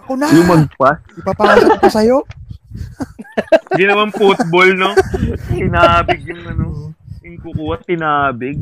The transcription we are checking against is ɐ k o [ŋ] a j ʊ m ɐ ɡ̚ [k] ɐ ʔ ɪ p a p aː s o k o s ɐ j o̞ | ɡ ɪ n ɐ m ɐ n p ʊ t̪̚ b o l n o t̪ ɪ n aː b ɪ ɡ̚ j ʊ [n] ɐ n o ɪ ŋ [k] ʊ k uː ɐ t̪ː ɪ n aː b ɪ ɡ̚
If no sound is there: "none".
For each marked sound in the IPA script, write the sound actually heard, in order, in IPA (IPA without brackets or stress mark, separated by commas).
n, p, ŋ, k